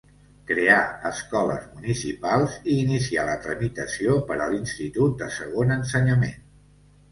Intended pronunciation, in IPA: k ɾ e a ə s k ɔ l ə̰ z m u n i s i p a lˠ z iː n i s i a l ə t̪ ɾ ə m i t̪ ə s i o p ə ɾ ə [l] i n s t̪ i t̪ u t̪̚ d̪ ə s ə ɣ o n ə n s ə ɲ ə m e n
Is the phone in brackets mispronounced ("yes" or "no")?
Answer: no